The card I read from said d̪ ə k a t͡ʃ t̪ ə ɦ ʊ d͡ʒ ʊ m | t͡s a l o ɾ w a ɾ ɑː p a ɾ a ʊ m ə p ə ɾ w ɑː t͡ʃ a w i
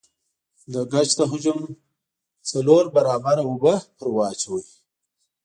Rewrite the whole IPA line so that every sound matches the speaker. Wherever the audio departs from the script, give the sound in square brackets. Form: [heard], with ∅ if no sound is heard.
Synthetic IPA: d̪ ə [ɡ] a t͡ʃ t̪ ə ɦ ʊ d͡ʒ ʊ m | t͡s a l o ɾ [b] a ɾ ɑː [b] a ɾ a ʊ [b] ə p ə ɾ w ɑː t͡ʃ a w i